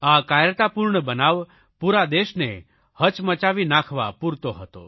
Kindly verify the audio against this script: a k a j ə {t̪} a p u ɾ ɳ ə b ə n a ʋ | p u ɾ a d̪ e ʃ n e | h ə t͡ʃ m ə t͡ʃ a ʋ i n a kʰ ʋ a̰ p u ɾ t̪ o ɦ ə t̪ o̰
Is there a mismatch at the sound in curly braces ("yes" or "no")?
no